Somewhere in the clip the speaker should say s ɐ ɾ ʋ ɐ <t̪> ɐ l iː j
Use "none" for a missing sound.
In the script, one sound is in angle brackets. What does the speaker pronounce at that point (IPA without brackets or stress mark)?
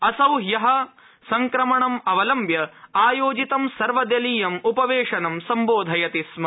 d̪